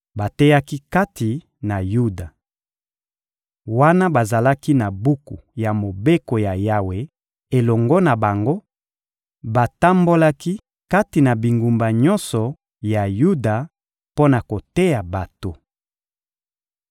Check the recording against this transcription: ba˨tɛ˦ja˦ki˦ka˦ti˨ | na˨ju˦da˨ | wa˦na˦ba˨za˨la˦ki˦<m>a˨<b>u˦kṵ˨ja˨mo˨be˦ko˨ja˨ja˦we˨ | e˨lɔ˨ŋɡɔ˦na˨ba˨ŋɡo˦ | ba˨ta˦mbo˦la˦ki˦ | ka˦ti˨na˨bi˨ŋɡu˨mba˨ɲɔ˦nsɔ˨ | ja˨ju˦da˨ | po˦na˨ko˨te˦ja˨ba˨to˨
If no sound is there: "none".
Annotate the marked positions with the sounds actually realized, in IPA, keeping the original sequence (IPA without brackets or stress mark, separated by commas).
n, b